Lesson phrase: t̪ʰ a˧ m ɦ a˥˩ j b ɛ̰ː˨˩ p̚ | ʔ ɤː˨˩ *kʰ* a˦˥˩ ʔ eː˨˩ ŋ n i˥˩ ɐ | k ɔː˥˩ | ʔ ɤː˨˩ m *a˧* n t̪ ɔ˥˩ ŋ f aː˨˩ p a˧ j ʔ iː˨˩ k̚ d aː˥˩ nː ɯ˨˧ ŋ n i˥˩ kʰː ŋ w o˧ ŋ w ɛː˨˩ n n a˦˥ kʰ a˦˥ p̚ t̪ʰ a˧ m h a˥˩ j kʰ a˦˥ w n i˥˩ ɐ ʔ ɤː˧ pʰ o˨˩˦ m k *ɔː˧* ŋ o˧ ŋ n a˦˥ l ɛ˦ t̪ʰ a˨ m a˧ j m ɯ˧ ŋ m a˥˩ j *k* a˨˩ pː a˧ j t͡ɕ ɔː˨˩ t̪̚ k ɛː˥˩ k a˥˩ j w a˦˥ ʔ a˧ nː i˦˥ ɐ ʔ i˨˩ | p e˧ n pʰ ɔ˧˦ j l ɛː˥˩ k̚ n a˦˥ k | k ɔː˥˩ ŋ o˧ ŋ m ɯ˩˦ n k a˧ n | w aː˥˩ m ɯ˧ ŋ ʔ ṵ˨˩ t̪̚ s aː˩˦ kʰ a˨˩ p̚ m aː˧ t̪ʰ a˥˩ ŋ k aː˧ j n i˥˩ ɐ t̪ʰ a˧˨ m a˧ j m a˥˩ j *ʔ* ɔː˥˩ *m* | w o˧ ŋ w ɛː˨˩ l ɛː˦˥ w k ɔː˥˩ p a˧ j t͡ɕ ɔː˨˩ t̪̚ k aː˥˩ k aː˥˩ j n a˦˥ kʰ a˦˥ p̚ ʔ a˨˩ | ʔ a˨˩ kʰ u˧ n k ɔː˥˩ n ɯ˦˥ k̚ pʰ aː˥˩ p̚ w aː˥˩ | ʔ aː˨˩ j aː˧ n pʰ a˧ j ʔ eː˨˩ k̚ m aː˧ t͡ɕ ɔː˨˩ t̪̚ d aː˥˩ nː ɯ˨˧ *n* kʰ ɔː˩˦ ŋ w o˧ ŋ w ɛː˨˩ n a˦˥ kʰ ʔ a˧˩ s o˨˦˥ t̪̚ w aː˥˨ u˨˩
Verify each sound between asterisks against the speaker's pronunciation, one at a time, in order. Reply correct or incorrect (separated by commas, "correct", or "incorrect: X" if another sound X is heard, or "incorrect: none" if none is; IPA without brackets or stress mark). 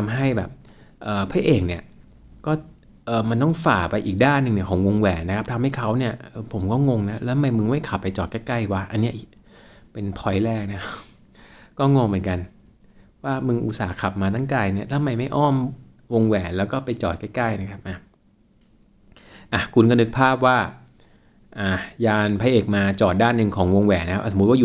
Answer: incorrect: pʰ, correct, incorrect: ɔː˥˩, incorrect: kʰ, correct, correct, incorrect: ŋ